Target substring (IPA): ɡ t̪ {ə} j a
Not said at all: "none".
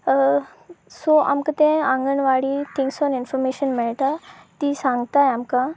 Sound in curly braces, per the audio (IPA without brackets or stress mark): a